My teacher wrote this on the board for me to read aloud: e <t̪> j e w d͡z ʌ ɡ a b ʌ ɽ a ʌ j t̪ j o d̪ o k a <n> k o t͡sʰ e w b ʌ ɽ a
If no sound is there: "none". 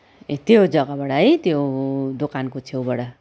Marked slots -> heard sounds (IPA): t̪, n

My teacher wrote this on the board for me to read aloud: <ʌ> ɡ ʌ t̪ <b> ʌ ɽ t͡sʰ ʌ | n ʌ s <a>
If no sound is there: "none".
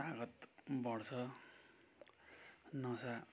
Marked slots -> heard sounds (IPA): a, b, a

